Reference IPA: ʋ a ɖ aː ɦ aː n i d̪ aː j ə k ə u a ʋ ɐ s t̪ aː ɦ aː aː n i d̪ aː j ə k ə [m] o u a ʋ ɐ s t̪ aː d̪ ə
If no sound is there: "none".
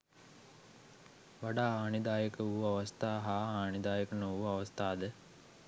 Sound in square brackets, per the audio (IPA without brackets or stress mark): n